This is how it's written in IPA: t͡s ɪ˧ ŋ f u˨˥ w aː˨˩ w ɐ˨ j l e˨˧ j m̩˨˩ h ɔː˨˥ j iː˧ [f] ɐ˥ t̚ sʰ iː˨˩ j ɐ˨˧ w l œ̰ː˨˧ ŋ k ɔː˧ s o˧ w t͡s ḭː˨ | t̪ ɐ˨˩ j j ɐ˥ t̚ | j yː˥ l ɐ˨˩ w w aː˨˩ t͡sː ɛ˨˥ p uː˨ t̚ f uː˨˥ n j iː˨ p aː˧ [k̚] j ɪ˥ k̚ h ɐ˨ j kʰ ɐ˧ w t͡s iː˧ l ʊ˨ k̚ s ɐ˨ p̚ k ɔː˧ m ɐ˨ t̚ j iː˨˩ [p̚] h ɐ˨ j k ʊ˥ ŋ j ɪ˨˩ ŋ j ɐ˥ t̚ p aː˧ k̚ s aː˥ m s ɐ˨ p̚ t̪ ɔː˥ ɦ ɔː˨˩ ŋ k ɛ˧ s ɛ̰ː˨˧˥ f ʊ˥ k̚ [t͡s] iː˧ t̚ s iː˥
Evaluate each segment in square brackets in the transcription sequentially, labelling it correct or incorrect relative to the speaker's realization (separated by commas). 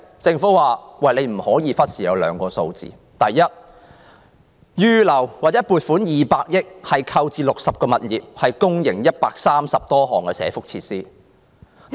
correct, correct, correct, incorrect